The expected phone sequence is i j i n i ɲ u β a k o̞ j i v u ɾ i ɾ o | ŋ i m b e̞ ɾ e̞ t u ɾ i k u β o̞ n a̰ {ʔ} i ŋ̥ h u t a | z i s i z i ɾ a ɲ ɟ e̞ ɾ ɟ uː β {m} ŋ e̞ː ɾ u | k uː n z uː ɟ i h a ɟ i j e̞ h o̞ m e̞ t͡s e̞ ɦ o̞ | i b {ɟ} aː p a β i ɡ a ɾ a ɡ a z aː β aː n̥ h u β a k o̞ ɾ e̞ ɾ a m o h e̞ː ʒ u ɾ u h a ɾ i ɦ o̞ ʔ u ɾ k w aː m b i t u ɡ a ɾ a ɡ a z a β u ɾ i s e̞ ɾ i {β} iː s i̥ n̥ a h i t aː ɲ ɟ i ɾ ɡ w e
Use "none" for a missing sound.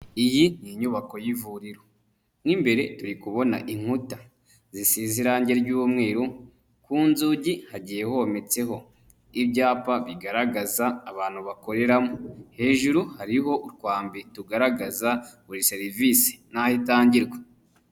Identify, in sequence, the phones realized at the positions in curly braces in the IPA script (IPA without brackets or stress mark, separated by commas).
ʔ, m, ɟ, v